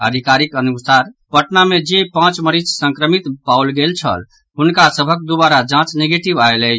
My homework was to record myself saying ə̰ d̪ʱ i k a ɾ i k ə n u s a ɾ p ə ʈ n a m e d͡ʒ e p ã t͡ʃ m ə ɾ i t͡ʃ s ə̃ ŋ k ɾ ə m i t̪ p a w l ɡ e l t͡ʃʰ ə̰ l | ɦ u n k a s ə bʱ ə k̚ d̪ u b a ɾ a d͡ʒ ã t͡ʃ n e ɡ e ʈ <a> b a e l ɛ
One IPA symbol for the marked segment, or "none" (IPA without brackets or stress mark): i